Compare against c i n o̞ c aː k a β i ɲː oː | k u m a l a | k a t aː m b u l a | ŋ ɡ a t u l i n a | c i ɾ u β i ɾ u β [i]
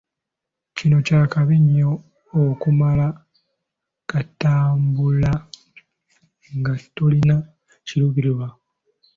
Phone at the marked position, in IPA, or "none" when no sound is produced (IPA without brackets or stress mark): a